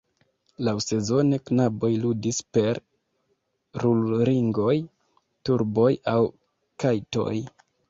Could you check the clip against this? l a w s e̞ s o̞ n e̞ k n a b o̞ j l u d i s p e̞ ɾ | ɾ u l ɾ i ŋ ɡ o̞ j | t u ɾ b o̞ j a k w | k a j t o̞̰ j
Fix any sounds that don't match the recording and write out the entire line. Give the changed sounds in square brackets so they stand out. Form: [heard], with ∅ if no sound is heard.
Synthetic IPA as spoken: l a w s e̞ [z] o̞ n e̞ k n a b o̞ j l u d i s p e̞ ɾ | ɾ u l ɾ i ŋ ɡ o̞ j | t u ɾ b o̞ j a [∅] w | k a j t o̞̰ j